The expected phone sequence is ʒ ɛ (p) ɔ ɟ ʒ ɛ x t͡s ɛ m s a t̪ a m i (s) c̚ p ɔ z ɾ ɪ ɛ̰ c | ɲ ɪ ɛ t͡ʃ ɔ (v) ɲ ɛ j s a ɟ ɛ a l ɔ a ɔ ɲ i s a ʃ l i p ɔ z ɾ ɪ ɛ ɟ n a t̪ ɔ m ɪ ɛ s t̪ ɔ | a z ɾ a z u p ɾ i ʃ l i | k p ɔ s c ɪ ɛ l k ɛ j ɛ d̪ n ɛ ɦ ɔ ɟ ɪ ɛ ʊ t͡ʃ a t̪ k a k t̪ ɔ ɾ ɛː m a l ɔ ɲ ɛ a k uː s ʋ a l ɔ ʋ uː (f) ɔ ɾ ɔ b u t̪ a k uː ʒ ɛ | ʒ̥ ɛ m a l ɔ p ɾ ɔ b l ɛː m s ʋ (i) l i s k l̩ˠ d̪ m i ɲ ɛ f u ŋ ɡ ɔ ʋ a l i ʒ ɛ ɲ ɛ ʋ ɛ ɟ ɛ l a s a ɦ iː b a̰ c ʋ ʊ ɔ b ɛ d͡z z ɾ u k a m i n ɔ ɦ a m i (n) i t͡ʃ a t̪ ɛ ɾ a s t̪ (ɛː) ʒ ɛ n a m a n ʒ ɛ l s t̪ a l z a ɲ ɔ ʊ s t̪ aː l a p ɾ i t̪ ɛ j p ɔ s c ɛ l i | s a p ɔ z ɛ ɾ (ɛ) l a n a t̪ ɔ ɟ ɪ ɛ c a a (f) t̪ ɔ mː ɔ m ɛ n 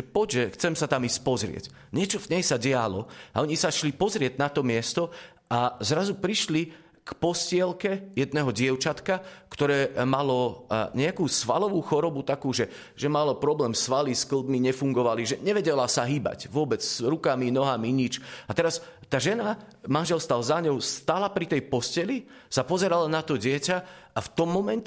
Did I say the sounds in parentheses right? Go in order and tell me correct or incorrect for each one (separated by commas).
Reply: correct, correct, correct, incorrect, incorrect, incorrect, incorrect, incorrect, correct